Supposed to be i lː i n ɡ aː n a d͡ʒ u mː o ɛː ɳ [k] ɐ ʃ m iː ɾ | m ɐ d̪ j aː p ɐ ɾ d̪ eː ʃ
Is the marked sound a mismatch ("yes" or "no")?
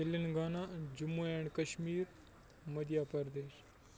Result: no